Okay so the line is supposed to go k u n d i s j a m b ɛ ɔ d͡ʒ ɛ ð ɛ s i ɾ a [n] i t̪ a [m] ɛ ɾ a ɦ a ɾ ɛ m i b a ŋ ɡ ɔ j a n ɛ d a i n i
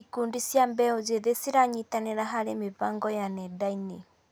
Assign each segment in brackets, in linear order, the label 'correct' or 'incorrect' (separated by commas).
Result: incorrect, incorrect